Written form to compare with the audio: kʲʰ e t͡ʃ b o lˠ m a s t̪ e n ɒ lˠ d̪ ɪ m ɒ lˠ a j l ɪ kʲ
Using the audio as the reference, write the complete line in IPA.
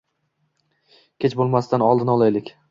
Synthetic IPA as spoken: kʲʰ e t͡ʃ b o lˠ m a s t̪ a n ɒ lˠ d̪ ɪ n ɒ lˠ a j l ɪ kʲ

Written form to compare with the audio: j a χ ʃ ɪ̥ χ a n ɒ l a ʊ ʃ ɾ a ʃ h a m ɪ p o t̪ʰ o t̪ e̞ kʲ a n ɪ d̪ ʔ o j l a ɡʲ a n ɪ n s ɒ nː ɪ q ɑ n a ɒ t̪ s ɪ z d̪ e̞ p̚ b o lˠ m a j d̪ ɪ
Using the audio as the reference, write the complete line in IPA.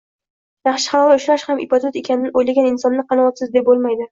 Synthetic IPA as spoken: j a χ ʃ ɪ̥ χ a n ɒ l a ʊ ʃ ɾ a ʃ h a m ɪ p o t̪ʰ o t̪ e̞ kʲ a n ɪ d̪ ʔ o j l a ɡʲ a n ɪ n s ɒ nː ɪ q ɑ n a ɒ t̪ s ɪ z d̪ e̞ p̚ b o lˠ m a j d̪ ɪ

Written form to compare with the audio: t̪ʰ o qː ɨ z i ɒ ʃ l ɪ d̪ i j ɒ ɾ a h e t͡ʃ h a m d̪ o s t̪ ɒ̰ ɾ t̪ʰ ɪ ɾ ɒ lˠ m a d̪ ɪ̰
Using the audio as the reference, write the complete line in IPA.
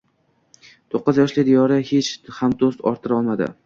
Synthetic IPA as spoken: t̪ʰ o qː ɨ z j ɒ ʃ l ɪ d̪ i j ɒ ɾ a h e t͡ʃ h a m d̪ o s t̪ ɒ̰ ɾ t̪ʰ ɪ ɾ ɒ lˠ m a d̪ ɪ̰

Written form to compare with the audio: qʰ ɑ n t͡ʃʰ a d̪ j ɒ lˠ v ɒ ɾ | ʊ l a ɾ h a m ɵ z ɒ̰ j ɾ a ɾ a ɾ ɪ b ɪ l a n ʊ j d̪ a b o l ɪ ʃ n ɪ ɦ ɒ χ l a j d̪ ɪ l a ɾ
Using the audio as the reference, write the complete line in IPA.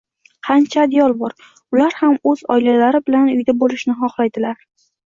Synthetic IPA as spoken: qʰ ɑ n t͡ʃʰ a d̪ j ɒ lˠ b ɒ ɾ | ʊ l a ɾ h a m ɵ z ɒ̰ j l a l a ɾ ɪ b ɪ l a n ʊ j d̪ a b o l ɪ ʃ n ɪ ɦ ɒ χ l a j d̪ ɪ l a ɾ

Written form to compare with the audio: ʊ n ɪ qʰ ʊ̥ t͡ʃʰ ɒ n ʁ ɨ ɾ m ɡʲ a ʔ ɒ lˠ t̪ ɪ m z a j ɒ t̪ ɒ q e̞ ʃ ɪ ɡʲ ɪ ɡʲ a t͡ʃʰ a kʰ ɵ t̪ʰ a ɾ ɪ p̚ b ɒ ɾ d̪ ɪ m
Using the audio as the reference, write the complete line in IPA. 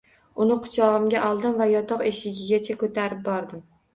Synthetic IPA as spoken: ʊ n ɪ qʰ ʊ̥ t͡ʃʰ ɒ ʁ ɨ m ɡʲ a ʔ ɒ lˠ d̪ ɪ m v a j ɒ t̪ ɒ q e̞ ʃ ɪ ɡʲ ɪ ɡʲ a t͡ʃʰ a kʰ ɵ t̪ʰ a ɾ ɪ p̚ b ɒ ɾ d̪ ɪ m

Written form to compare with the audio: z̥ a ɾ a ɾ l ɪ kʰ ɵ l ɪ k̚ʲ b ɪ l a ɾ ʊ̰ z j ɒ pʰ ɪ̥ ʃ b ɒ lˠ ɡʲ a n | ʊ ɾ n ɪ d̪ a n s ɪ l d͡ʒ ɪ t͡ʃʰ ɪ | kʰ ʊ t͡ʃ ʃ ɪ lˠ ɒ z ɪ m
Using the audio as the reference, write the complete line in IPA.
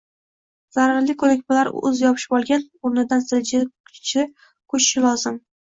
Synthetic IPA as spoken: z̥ a ɾ a ɾ l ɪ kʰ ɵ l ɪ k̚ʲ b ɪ l a ɾ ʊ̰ z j ɒ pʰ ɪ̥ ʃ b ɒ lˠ ɡʲ a n | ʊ ɾ n ɪ d̪ a n s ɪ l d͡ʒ ɪ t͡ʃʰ ɪ | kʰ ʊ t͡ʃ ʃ ɪ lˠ ɒ z ɪ m

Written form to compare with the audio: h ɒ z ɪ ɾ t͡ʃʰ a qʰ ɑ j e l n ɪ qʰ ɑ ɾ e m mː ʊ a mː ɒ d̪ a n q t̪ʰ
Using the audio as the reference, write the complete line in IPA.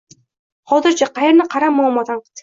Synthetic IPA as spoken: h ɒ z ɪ ɾ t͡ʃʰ a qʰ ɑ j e ɾ n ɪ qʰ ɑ ɾ a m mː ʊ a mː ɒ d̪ a n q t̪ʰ

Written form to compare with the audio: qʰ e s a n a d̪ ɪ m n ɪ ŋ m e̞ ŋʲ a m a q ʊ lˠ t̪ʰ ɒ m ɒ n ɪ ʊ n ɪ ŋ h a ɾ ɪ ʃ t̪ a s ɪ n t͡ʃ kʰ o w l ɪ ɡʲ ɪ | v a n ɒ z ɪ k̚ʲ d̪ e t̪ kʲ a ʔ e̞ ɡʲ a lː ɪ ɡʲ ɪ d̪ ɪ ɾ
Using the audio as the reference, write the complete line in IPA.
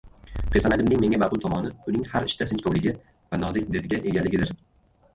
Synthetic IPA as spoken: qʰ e s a n a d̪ ɪ m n ɪ ŋ m e̞ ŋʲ a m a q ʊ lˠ t̪ʰ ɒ m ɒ n ɪ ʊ n ɪ ŋ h a ɾ ɪ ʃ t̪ a s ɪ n t͡ʃ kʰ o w l ɪ ɡʲ ɪ | v a n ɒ z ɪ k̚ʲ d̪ e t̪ ɡʲ a ʔ e̞ ɡʲ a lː ɪ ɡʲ ɪ d̪ ɪ ɾ

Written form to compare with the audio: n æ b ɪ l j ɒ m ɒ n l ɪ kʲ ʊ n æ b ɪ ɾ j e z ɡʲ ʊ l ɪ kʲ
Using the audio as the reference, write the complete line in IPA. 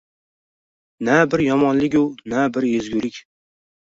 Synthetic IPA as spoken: n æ b ɪ ɾ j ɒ m ɒ n l ɪ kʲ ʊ n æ b ɪ ɾ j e z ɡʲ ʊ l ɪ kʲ

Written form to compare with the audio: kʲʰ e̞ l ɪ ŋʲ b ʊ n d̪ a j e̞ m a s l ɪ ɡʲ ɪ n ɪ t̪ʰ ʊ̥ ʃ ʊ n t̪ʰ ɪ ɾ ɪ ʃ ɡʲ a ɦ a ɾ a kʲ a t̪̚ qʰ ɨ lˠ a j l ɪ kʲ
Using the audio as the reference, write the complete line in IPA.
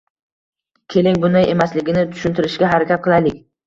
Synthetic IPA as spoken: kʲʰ e̞ l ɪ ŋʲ b ʊ n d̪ a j e̞ m a s l ɪ ɡʲ ɪ n ɪ t̪ʰ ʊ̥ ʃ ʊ n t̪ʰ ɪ ɾ ɪ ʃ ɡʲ a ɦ a ɾ a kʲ a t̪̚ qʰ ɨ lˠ a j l ɪ kʲ

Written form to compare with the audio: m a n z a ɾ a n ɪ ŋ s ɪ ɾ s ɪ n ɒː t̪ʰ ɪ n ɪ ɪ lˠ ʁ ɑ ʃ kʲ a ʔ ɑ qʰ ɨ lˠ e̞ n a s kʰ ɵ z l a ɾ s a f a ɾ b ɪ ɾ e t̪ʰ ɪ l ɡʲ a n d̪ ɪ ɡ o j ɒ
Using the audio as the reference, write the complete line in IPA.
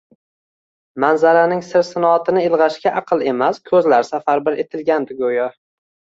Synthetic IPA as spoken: m a n z a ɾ a n ɪ ŋ s ɪ ɾ s ɪ n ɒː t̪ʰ ɪ n ɪ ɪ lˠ ʁ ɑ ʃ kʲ a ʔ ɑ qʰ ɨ lˠ e̞ m a s kʰ ɵ z l a ɾ s a f a ɾ b ɪ ɾ e t̪ʰ ɪ l ɡʲ a n d̪ ɪ ɡ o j ɒ

